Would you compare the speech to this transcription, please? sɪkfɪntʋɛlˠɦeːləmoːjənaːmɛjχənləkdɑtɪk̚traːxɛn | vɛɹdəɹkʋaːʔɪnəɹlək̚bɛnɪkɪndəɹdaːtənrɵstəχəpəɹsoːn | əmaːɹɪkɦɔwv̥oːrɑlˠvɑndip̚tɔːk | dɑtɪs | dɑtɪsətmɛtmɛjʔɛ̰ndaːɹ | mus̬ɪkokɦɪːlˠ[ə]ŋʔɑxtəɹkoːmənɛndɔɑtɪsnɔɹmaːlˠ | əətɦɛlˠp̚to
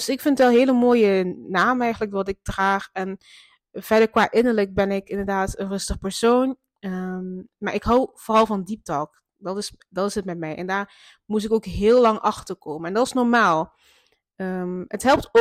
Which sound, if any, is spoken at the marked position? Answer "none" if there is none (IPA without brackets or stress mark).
ɑ